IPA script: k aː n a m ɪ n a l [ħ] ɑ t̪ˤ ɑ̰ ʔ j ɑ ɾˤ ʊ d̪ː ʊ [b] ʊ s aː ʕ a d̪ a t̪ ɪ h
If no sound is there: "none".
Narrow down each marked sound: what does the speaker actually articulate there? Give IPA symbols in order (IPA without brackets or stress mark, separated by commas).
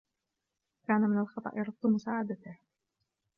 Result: x, m